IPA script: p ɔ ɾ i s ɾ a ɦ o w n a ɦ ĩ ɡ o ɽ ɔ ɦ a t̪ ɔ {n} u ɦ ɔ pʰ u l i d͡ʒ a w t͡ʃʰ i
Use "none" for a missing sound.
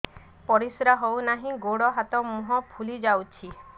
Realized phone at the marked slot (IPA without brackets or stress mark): m